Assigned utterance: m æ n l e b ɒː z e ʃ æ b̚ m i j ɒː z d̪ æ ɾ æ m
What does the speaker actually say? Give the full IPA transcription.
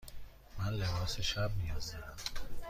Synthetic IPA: m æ n l e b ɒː s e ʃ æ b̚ m i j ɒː z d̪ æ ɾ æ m